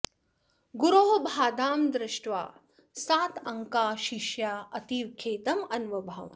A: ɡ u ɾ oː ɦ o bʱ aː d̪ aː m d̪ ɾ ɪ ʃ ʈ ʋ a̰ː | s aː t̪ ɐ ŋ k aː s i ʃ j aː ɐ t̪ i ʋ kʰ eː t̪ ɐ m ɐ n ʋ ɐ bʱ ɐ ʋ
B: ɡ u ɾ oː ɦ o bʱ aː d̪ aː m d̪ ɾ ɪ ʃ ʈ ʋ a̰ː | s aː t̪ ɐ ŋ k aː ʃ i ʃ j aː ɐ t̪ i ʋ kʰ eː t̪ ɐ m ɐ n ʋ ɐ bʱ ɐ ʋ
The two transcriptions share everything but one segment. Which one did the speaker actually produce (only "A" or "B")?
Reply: B